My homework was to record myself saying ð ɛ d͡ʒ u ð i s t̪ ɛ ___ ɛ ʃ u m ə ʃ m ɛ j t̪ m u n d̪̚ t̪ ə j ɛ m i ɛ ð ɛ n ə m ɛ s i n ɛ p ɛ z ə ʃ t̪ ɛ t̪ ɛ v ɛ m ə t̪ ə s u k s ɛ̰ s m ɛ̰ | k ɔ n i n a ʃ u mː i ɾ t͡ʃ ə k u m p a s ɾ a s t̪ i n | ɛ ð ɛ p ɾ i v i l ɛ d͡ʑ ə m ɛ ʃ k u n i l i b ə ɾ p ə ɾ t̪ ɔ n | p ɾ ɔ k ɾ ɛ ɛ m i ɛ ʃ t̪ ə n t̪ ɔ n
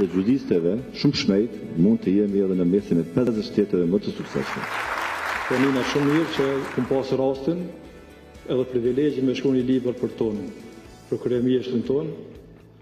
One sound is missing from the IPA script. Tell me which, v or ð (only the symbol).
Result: v